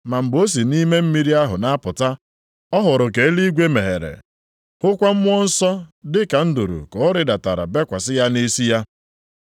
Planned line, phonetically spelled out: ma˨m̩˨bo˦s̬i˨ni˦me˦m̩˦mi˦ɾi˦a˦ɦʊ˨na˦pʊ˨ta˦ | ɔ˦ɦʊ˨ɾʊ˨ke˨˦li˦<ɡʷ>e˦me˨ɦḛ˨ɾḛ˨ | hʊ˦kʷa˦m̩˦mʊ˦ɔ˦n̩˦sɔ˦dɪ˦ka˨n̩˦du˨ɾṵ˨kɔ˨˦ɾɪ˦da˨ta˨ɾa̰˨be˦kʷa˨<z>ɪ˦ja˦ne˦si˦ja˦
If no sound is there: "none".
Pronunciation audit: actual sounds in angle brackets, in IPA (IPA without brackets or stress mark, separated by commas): ɡʷ, s